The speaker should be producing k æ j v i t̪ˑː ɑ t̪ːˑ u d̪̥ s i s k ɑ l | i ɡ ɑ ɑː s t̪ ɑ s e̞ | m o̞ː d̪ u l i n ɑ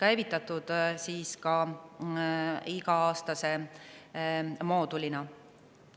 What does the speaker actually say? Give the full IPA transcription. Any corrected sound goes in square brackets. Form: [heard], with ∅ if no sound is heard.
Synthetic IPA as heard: k æ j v i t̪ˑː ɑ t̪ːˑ u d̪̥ s [iː] s k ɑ [∅] | i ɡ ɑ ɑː s t̪ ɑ s e̞ | m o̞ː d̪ u l i n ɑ